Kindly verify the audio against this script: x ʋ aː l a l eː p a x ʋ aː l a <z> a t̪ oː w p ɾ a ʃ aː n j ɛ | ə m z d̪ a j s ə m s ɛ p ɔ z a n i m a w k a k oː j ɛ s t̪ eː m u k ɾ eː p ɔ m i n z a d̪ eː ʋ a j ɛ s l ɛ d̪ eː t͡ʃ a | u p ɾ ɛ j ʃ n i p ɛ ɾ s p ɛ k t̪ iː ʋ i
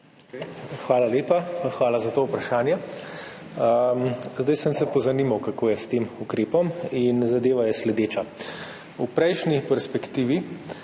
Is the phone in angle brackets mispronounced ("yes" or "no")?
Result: no